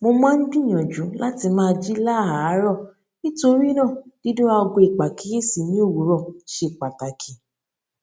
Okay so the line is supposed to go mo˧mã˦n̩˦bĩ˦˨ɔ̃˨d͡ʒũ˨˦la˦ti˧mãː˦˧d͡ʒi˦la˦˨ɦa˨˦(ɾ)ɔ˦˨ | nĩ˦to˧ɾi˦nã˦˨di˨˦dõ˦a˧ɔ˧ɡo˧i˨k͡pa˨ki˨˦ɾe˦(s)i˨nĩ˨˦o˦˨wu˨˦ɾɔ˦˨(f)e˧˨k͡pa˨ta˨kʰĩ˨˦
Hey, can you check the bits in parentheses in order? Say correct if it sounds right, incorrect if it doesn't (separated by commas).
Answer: correct, correct, incorrect